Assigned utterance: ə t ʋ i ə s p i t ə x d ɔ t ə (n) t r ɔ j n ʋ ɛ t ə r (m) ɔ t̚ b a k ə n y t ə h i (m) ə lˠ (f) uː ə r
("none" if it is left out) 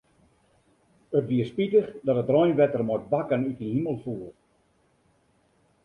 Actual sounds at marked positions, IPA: none, m, m, f

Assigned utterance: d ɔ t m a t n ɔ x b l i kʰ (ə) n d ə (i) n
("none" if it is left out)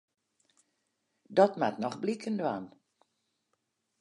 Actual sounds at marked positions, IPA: ə, a

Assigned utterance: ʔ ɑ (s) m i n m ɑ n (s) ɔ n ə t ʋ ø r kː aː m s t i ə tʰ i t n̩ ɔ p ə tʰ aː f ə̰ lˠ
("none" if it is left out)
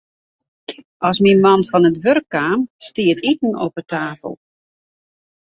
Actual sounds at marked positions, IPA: s, f

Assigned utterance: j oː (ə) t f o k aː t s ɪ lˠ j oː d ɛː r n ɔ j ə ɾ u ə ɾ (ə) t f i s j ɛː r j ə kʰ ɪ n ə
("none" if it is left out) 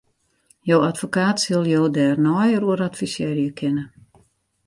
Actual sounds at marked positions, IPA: a, a

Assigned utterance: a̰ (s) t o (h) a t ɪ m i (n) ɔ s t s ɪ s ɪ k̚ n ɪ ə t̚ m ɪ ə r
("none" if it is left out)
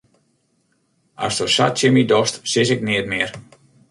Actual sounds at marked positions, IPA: s, s, d

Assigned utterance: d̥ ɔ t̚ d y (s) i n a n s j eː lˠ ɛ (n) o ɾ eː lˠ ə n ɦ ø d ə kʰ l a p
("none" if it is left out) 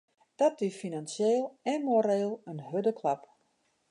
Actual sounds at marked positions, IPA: f, m

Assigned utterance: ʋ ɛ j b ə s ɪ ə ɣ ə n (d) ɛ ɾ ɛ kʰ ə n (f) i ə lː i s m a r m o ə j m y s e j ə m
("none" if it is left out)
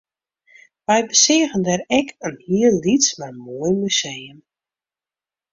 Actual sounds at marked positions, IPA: d, h

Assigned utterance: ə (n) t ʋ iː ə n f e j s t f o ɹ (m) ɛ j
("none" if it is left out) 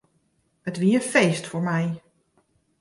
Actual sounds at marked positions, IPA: none, m

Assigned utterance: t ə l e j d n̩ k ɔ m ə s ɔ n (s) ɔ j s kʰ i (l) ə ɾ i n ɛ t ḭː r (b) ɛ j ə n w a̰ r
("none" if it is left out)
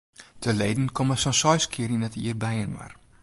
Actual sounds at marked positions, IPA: s, none, b

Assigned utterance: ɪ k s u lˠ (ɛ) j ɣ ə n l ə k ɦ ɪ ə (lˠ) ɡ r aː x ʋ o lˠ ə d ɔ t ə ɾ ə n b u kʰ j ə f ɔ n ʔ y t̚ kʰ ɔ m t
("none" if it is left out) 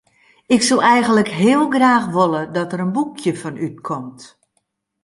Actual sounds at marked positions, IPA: ɛ, lˠ

